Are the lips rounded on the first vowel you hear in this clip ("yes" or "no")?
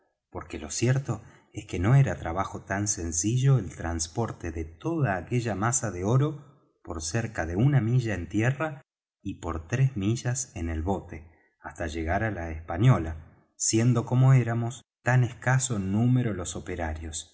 yes